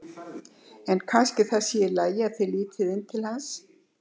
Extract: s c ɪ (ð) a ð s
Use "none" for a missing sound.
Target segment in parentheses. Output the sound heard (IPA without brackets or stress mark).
θ